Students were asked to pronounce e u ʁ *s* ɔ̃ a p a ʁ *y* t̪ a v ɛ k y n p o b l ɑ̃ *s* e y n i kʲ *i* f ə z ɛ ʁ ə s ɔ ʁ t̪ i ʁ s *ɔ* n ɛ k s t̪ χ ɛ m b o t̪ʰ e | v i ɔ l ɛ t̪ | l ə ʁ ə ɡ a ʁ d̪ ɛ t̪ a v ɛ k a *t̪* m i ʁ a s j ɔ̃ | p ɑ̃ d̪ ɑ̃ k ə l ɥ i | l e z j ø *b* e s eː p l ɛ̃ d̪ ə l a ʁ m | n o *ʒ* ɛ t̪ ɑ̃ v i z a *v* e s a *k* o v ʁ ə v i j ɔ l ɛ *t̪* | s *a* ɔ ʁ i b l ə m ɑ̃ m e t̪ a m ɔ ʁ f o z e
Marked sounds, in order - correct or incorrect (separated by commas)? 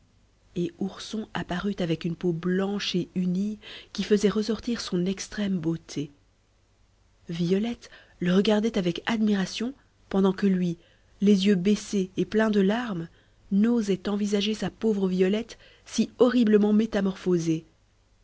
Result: correct, correct, incorrect, correct, incorrect, incorrect, correct, incorrect, incorrect, incorrect, correct, incorrect